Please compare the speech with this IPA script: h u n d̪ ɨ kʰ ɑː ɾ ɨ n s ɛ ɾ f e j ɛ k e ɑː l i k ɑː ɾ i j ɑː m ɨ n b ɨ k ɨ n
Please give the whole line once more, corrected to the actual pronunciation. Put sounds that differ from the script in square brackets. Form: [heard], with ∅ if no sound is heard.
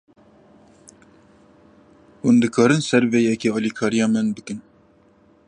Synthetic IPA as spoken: h u n d̪ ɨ kʰ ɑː ɾ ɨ n s ɛ ɾ [v] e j ɛ k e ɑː l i [kʰ] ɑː ɾ i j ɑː m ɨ n b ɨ k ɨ n